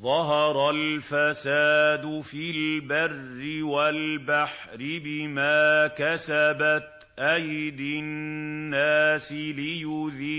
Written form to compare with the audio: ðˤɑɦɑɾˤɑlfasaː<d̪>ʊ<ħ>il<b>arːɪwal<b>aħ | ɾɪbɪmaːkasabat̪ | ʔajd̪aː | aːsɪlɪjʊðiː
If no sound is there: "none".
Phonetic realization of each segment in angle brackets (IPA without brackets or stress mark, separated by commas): d̪, f, b, b